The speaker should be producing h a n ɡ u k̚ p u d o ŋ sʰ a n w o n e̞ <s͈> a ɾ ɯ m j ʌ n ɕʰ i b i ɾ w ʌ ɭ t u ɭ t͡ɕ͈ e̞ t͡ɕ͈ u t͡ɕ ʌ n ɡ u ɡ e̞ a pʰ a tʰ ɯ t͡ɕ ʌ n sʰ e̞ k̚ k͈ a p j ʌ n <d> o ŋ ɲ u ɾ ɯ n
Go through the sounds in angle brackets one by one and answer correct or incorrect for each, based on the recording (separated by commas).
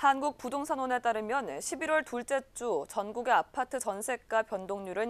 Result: incorrect, correct